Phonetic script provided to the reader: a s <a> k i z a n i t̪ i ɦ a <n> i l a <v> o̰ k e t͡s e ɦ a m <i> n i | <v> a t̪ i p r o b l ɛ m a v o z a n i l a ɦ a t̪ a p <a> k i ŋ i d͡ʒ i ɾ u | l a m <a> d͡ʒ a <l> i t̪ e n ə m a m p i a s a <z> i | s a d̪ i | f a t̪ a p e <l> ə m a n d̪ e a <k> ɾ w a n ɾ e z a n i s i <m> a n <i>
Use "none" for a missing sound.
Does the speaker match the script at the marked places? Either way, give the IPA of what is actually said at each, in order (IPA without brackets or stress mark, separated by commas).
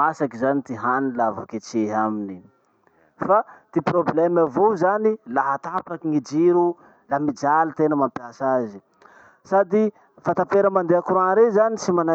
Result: a, n, v, i, f, a, i, l, z, ɾ, k, m, a